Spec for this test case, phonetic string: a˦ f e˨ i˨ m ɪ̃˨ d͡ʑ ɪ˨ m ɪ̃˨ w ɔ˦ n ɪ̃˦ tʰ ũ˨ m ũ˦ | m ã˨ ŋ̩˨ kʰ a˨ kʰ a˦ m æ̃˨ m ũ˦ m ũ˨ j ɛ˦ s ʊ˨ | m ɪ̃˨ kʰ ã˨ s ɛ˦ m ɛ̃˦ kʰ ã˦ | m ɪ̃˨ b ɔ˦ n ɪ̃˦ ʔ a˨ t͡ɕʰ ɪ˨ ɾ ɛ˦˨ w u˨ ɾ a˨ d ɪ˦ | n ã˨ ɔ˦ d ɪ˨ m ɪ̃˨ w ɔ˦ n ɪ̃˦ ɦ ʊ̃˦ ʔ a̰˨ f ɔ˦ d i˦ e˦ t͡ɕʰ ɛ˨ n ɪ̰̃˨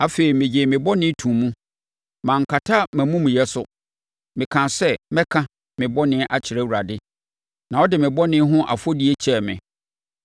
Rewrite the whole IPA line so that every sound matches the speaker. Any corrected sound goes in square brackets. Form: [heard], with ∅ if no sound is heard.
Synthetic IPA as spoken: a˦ f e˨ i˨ m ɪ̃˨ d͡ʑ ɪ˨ m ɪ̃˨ [b] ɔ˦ n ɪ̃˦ tʰ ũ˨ m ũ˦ | m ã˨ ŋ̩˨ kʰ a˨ [tʰ] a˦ m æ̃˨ m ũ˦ m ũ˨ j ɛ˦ s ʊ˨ | m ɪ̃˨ kʰ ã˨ s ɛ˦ m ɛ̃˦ kʰ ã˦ | m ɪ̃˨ b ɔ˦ n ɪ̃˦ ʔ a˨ t͡ɕʰ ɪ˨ ɾ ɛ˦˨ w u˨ ɾ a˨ d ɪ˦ | n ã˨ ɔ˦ d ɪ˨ m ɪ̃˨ [b] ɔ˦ n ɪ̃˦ ɦ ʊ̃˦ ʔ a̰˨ f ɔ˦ d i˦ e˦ t͡ɕʰ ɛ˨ [m] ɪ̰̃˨